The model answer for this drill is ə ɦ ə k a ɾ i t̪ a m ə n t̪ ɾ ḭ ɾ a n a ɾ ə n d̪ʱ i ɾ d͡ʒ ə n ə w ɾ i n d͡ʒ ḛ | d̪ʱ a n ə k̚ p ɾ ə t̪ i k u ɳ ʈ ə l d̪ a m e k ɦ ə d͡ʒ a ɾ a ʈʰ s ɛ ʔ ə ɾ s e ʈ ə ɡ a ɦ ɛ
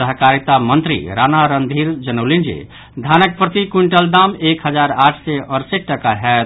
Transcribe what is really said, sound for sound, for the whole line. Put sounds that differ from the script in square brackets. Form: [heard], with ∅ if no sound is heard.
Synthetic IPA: ə ɦ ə k a ɾ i t̪ a m ə n t̪ ɾ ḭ ɾ a n a ɾ ə n d̪ʱ i ɾ d͡ʒ ə n ə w [l] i n d͡ʒ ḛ | d̪ʱ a n ə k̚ p ɾ ə t̪ i k u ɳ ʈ ə l d̪ a m e k ɦ ə d͡ʒ a ɾ a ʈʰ s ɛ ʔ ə ɾ s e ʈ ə [k] a ɦ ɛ